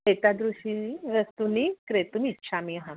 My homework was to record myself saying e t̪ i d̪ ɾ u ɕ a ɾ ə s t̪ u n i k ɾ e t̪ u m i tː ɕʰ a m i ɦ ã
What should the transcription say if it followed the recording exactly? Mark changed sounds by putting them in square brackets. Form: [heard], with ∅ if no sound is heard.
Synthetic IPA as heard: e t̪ [a] d̪ ɾ u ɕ [i] ɾ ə s t̪ u n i k ɾ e t̪ u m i tː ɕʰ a m i ɦ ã